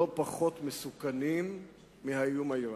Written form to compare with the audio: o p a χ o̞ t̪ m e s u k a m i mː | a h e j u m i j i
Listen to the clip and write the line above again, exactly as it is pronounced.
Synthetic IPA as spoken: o p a χ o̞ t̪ m e s u k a n i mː | i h a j u m a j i